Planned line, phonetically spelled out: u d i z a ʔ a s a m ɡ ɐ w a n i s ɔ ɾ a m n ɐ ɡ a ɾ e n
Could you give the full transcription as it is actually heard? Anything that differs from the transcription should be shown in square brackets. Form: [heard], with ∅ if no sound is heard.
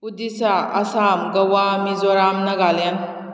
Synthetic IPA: u d i [s] a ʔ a s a m ɡ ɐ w a [m] i [z] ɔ ɾ a m n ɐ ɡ a [l] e n